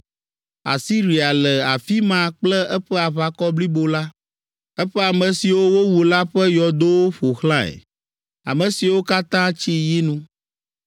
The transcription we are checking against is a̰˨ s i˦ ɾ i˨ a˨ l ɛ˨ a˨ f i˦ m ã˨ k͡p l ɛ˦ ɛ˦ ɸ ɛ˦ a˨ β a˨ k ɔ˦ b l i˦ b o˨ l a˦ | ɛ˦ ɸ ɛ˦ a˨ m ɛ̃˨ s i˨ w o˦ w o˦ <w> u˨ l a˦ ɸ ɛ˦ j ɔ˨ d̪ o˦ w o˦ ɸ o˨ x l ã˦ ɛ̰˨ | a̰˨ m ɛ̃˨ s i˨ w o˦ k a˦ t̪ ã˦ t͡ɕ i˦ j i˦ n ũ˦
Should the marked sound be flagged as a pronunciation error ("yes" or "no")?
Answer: no